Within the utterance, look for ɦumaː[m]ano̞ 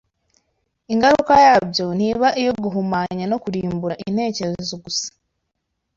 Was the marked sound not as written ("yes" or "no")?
yes